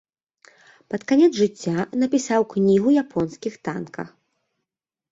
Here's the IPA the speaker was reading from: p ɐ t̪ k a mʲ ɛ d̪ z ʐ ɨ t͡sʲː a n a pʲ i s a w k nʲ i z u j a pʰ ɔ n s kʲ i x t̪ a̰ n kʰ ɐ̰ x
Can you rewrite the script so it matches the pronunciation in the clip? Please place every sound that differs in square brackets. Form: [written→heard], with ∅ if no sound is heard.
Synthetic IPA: p ɐ t̪ k a [mʲ→nʲ] ɛ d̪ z ʐ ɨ t͡sʲː a n [a→ɐ] pʲ i s a w k nʲ i [z→ɣ] u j a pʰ ɔ n s kʲ i x t̪ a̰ n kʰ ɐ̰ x